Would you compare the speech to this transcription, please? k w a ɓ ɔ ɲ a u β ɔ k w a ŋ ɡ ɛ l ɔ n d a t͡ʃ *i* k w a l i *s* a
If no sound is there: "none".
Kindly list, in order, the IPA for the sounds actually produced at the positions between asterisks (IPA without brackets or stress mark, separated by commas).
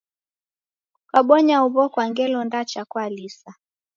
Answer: a, s